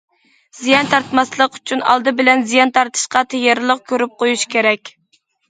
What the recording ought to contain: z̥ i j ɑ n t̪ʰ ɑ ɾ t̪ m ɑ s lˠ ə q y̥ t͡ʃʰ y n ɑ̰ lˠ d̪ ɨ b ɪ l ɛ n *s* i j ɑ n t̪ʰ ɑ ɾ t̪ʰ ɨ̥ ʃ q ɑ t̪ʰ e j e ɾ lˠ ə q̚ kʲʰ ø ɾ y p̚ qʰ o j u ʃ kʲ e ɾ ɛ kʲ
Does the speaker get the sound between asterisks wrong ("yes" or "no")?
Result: yes